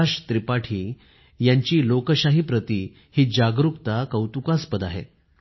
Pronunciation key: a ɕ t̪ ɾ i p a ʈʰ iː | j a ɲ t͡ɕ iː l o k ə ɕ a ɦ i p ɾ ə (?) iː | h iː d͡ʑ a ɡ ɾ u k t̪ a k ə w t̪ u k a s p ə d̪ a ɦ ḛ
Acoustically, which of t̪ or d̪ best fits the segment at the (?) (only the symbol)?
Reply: t̪